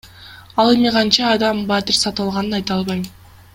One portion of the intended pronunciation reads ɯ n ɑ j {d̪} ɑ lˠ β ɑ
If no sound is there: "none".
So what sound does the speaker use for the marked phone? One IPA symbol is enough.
t̪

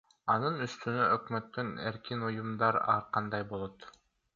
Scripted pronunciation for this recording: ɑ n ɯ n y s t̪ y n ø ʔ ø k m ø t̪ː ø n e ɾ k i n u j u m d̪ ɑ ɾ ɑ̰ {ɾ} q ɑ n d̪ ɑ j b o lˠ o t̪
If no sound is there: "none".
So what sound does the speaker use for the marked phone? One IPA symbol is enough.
ɾ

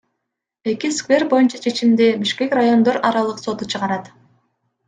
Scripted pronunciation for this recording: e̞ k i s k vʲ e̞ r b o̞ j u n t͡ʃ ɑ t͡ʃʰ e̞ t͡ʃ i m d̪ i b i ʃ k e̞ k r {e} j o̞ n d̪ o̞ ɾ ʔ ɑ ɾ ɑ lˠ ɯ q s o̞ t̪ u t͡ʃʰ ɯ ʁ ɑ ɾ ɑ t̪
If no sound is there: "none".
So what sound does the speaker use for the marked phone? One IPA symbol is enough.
a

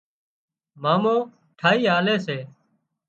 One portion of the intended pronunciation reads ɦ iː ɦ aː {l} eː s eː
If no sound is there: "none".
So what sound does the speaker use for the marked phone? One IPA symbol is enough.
l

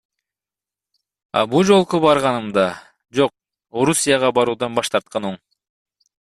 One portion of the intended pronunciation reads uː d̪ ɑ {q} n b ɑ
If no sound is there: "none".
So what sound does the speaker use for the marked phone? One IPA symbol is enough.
none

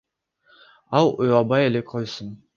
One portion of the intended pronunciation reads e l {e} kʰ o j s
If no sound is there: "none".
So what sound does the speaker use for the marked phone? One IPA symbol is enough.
e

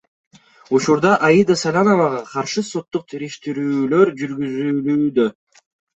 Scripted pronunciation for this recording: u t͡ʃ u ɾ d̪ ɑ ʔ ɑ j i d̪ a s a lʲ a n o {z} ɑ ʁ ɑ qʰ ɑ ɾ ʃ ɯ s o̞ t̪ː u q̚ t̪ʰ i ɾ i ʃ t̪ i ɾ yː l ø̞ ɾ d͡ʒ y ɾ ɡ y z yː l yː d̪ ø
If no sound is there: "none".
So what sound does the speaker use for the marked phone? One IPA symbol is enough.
v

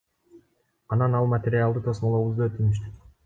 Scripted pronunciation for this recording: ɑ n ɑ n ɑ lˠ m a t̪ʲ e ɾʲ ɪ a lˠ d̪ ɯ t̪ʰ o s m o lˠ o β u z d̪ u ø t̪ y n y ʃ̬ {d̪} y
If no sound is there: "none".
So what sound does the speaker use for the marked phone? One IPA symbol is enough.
t̪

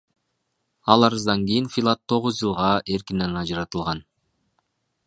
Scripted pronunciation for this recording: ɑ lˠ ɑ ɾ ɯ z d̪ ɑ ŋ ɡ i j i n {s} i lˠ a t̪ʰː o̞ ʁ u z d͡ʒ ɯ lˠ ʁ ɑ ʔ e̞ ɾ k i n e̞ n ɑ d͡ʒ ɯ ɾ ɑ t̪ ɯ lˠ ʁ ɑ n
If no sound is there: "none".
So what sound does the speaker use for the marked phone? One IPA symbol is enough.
f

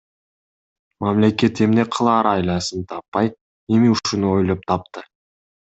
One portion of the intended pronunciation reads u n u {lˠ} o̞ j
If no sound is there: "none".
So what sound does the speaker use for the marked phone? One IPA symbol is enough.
none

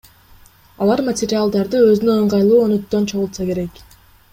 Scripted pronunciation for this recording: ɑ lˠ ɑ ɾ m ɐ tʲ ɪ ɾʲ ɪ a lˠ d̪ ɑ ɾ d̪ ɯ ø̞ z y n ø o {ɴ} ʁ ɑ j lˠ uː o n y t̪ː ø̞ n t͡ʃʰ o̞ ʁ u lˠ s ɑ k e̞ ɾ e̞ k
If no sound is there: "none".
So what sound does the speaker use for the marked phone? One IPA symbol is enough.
ɴ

